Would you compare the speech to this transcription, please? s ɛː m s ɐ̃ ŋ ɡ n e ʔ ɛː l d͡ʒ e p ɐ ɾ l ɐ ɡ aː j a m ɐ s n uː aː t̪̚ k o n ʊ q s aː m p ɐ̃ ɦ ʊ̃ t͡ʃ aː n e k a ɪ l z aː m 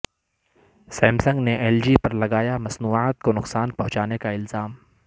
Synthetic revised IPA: s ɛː m s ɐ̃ ŋ ɡ n e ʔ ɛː l d͡ʒ i p ɐ ɾ l ɐ ɡ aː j a m ɐ s n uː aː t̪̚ k o n ʊ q s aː n p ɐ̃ ɦ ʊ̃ t͡ʃ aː n e k a ɪ l z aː m